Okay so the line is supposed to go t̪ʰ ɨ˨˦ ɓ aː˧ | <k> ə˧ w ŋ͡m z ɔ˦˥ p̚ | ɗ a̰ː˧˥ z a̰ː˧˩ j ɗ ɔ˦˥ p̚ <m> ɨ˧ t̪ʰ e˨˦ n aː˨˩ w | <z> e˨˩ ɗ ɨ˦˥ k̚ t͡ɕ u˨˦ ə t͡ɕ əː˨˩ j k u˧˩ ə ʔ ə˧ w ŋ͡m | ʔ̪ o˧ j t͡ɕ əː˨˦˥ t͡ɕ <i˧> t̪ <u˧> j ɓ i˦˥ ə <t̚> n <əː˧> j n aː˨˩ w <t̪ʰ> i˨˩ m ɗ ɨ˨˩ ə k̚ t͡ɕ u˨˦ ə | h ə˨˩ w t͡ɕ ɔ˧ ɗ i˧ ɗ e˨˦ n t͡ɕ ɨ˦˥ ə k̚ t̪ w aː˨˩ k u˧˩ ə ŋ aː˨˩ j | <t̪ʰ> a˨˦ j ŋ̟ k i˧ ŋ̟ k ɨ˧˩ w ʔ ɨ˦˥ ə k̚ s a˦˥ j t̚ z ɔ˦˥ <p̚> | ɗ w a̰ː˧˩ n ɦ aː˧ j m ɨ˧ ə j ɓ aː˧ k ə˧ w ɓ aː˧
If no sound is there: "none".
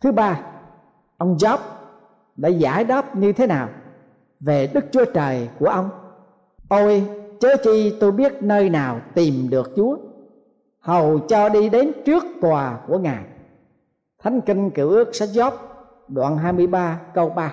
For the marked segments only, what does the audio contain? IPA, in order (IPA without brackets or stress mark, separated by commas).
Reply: ʔ, ɲ, v, i˧, o˧, t̚, əː˧, t̪, t̪ʰ, p̚